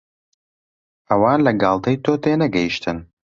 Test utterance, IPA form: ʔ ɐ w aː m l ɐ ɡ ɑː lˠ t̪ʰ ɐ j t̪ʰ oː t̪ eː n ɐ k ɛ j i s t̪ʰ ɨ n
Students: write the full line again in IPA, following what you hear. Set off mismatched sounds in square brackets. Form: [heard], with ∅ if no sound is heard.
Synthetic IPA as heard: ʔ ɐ w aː [n] l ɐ ɡ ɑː lˠ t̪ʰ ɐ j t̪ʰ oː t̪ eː n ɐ [ɡ] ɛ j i [ʃ] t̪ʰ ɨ n